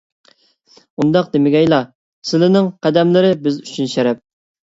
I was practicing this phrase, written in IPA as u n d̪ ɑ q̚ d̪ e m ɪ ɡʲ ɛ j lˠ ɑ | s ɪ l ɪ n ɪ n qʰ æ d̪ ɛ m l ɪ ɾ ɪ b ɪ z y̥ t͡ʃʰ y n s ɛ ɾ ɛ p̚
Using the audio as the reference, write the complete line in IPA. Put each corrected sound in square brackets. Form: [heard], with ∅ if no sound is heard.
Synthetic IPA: u n d̪ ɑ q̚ d̪ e m ɪ ɡʲ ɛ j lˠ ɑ | s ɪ l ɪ n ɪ [ŋ] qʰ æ d̪ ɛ m l ɪ ɾ ɪ b ɪ z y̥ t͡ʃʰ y n [ʃ] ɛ ɾ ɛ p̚